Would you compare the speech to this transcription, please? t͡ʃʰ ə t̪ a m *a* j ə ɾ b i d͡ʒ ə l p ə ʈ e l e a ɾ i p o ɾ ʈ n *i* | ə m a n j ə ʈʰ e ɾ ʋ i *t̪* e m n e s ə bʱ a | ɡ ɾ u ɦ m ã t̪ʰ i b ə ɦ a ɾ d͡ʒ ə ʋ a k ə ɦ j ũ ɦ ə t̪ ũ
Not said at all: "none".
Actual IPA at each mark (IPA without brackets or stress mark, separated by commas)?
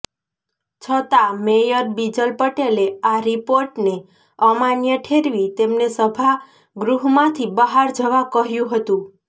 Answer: e, e, t̪